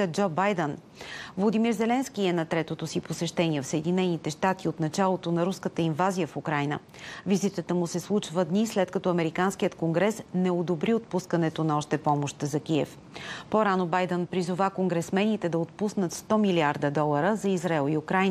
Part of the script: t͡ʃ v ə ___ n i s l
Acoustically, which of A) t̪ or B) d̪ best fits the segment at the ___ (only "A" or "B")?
B